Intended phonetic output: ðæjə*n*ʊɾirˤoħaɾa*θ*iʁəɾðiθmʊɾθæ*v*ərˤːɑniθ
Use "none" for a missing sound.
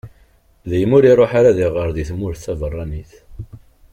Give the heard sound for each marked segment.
m, ð, v

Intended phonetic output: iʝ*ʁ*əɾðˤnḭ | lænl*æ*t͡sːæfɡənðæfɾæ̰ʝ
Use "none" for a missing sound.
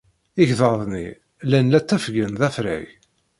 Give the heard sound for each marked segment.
ð, æ

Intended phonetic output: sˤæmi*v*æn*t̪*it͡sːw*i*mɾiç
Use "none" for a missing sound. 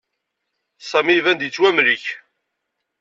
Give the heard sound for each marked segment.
v, d̪, æ

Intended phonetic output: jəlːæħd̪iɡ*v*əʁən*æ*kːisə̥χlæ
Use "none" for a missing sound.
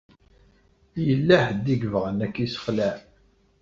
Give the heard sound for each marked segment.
v, æ

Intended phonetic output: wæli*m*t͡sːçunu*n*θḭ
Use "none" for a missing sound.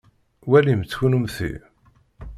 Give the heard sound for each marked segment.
m, m

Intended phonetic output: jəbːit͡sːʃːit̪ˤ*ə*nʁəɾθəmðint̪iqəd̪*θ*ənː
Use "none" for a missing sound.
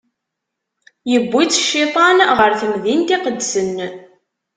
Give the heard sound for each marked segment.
ɑ, s

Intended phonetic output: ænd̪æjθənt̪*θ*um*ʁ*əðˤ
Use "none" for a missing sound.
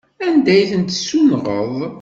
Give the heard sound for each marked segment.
s, ʁ

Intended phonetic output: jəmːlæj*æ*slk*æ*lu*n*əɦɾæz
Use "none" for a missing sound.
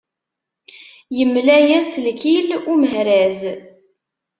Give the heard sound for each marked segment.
æ, i, m

